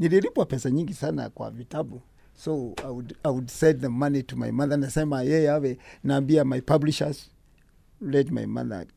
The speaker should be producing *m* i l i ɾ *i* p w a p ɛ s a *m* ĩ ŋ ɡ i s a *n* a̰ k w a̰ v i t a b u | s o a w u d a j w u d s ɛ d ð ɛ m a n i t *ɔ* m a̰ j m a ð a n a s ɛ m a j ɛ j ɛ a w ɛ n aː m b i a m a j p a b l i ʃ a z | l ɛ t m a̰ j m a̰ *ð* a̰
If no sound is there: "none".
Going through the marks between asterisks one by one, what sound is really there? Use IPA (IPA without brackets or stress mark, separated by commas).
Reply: n, i, ɲ, n, u, ð